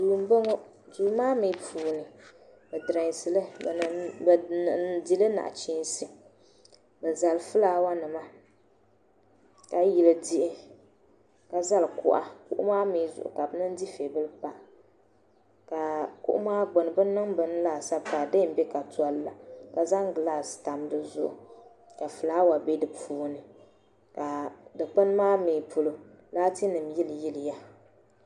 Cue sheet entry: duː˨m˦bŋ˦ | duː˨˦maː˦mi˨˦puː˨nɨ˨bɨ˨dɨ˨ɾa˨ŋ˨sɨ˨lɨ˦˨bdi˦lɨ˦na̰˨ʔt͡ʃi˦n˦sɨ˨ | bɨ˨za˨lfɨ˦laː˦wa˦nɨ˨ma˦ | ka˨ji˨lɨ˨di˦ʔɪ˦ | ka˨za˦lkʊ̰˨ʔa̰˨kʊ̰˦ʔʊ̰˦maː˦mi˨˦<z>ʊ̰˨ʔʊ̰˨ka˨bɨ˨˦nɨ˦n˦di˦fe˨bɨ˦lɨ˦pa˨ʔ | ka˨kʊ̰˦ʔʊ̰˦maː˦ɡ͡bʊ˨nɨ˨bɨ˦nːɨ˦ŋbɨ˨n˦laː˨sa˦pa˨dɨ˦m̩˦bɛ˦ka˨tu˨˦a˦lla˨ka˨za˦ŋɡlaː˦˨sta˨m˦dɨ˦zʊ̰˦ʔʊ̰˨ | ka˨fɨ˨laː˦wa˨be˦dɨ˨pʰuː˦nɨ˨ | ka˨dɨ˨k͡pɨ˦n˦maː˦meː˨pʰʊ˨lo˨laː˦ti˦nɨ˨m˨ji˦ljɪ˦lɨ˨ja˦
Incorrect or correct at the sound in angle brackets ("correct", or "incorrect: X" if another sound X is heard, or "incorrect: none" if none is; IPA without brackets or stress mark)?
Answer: correct